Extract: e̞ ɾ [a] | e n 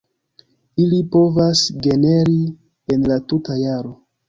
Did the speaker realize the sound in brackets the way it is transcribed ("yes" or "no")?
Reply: no